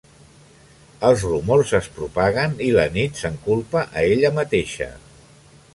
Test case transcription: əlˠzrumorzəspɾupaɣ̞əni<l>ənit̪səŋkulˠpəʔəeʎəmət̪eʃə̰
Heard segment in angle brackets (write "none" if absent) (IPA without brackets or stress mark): l